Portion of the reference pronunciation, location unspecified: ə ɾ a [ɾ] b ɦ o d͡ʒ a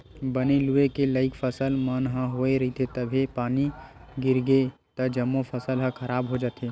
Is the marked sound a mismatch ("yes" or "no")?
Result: yes